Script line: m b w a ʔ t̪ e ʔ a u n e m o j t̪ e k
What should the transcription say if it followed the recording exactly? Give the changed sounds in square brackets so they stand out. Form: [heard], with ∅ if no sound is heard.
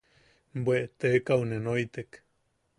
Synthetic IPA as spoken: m b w [e] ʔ t̪ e [k] a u n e [n] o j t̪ e k